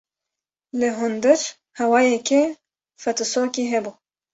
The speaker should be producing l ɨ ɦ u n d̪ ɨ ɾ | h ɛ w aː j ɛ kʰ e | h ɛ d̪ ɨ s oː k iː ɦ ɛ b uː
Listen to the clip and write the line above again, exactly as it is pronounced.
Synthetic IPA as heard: l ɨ ɦ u n d̪ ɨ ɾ | h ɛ w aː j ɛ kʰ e | f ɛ t̪ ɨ s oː k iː ɦ ɛ b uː